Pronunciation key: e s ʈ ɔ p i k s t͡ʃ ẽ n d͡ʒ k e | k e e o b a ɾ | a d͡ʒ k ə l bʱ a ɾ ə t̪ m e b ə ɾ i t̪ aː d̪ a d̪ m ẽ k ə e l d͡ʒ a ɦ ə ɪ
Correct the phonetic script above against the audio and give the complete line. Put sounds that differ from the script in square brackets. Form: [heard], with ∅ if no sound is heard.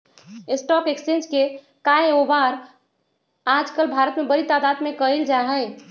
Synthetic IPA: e s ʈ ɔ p [e] k s t͡ʃ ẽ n d͡ʒ k e | k [a] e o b a ɾ | a d͡ʒ k ə l bʱ a ɾ ə t̪ m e b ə ɾ i t̪ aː d̪ a d̪ m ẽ k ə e l d͡ʒ a ɦ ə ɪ